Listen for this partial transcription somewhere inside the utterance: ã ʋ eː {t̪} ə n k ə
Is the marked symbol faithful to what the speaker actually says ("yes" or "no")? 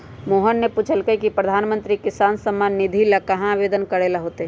no